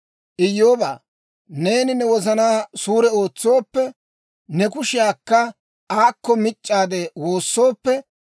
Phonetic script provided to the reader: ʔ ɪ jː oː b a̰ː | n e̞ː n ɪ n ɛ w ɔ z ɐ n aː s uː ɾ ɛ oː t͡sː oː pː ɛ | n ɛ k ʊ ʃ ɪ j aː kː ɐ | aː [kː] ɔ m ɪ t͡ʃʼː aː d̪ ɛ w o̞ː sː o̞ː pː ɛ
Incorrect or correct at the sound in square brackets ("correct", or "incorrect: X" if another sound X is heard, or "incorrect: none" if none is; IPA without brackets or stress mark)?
correct